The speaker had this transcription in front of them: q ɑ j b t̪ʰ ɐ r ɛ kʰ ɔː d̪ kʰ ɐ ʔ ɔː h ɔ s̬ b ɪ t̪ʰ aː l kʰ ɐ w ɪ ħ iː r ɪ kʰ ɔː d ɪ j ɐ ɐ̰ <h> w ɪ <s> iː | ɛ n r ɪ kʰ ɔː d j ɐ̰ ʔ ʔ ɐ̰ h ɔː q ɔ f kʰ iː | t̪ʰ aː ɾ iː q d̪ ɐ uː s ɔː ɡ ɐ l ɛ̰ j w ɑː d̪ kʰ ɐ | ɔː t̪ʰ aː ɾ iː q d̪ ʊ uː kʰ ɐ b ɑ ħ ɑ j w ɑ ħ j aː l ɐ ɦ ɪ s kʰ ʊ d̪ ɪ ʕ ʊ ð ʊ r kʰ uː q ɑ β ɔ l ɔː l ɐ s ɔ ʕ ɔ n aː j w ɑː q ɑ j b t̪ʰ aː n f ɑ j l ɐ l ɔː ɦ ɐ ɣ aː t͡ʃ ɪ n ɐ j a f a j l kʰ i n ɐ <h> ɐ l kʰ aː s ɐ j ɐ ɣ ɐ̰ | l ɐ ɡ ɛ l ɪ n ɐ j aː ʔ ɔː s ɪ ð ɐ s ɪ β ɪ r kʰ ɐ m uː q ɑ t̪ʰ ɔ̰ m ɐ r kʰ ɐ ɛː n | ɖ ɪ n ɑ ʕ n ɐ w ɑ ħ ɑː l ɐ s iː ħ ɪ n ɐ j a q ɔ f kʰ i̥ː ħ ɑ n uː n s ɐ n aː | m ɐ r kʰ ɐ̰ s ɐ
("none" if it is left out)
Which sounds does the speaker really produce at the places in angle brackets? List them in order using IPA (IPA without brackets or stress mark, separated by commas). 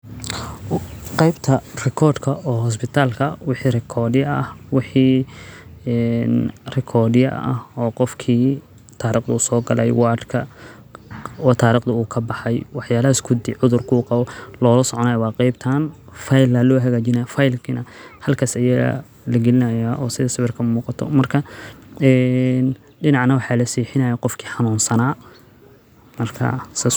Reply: h, ħ, h